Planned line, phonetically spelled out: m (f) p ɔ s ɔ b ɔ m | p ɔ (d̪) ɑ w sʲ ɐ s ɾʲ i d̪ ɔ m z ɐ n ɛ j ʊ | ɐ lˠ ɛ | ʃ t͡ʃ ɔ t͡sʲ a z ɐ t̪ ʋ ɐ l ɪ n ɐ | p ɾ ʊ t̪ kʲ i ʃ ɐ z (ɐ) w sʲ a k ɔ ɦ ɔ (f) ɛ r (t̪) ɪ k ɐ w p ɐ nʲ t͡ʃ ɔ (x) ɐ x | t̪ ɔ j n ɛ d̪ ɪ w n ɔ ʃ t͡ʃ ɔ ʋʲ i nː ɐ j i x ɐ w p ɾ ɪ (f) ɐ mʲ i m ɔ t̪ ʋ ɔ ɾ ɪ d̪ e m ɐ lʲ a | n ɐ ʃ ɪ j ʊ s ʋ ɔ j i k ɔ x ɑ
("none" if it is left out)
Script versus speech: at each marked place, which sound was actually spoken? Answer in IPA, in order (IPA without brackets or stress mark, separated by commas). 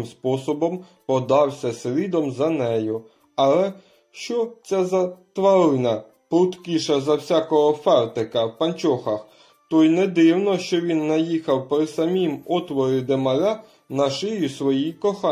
s, d̪, ɐ, f, t̪, x, s